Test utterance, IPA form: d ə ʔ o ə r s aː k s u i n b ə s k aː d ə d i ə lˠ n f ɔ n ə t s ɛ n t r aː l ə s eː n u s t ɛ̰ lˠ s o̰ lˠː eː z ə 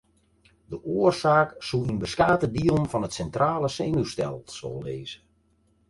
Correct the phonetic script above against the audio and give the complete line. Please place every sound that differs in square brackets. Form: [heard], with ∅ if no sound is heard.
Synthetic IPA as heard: d ə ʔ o ə r s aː k s u i n b ə s k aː [t] ə d i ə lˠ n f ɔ n ə t s ɛ n t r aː l ə s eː n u s t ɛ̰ lˠ s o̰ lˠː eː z ə